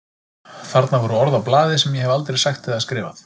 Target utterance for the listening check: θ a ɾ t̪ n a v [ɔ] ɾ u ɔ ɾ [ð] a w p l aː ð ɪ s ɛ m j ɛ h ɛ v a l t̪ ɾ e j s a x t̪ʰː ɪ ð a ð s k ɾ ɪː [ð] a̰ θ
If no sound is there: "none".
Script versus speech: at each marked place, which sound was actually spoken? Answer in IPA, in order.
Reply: ɔ, ð, v

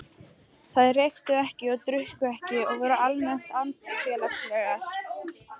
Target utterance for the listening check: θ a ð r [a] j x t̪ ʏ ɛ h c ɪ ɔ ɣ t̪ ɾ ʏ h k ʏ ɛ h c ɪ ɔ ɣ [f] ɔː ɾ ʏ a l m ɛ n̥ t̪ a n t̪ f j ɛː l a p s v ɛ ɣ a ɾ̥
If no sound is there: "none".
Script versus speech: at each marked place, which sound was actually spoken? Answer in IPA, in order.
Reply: e, v

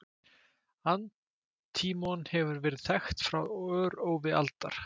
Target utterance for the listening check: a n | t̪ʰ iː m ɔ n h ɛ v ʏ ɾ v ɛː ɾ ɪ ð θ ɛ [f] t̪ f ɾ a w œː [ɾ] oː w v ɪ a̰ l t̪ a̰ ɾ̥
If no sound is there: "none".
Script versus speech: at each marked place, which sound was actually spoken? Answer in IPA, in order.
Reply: x, ɾ

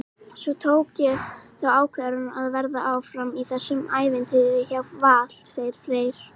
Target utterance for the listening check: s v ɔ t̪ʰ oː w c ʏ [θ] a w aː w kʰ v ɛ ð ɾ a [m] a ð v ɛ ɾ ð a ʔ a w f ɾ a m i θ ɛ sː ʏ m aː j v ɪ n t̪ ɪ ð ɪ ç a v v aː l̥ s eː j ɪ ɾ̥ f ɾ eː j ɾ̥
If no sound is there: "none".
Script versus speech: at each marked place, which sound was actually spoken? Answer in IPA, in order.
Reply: θ, n

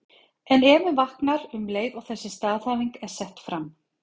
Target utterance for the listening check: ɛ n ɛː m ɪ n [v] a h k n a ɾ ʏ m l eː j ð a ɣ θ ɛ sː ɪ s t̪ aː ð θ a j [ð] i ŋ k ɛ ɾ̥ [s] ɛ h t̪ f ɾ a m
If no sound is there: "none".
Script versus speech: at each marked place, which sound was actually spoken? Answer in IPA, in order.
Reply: v, v, s

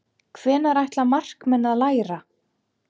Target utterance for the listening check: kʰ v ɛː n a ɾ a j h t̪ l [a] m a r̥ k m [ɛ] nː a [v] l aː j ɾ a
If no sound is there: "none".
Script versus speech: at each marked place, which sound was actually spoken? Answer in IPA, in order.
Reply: a, ɛ, ð

